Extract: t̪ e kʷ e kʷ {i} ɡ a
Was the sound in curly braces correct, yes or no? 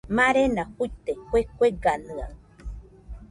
no